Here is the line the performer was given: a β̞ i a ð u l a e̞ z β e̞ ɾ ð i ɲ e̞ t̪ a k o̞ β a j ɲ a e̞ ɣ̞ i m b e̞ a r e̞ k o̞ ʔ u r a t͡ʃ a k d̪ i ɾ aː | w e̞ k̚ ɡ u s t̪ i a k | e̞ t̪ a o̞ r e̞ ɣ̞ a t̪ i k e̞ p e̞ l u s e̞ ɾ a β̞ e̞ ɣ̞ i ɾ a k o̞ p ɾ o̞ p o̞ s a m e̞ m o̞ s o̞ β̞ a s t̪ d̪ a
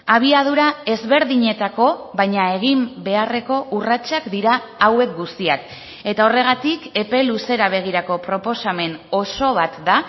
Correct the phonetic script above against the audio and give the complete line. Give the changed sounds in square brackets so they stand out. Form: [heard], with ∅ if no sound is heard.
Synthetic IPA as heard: a β̞ i a ð u [ɾ] a e̞ z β e̞ ɾ ð i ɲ e̞ t̪ a k o̞ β a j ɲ a e̞ ɣ̞ i m b e̞ a r e̞ k o̞ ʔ u r a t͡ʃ a k d̪ i ɾ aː | w e̞ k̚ ɡ u s t̪ i a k | e̞ t̪ a o̞ r e̞ ɣ̞ a t̪ i k e̞ p e̞ l u s e̞ ɾ a β̞ e̞ ɣ̞ i ɾ a k o̞ p ɾ o̞ p o̞ s a m e̞ [n] o̞ s o̞ β̞ a [∅] t̪ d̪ a